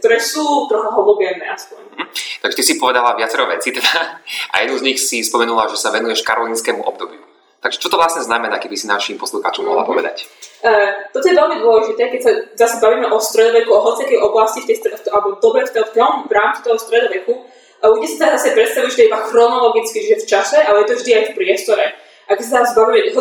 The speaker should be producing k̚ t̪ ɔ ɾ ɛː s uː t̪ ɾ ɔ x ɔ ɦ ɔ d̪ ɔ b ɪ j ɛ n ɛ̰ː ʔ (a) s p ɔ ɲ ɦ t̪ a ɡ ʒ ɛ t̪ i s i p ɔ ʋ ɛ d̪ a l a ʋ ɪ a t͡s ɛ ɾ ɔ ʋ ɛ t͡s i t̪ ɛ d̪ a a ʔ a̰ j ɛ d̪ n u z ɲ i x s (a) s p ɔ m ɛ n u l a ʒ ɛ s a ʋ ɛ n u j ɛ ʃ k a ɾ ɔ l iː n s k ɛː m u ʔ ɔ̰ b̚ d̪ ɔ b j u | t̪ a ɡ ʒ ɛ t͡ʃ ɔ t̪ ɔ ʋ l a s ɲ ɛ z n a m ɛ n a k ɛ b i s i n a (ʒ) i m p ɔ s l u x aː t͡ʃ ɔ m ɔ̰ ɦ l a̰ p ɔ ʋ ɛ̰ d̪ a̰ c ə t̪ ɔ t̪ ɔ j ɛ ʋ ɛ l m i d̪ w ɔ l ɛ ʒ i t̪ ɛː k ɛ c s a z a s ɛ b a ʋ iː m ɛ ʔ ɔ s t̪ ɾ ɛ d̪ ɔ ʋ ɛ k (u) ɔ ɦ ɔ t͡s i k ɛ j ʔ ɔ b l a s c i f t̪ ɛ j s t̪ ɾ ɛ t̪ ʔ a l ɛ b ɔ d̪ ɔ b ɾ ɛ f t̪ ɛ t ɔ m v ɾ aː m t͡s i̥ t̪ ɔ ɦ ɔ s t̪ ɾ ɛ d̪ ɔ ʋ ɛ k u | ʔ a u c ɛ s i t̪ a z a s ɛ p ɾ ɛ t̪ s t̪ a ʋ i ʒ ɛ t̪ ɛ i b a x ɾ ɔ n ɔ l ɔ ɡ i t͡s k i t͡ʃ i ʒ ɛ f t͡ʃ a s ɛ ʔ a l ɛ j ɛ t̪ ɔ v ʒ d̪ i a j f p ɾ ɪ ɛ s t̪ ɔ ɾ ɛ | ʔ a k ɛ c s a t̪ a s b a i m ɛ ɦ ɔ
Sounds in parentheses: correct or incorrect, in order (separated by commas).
correct, incorrect, incorrect, correct